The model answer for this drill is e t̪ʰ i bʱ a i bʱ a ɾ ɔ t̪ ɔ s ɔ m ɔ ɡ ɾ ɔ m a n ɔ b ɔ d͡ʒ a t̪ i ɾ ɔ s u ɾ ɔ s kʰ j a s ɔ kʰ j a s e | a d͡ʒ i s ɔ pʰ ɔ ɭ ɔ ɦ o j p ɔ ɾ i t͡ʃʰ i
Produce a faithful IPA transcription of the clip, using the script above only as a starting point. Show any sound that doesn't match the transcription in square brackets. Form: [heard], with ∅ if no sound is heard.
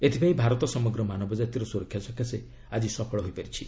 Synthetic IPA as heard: e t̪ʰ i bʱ a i bʱ a ɾ ɔ t̪ ɔ s ɔ m ɔ ɡ ɾ ɔ m a n ɔ b ɔ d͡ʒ a t̪ i ɾ ɔ s u ɾ ɔ [∅] kʰ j a s ɔ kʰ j a s e | a d͡ʒ i s ɔ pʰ ɔ ɭ ɔ ɦ o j p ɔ ɾ i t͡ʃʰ i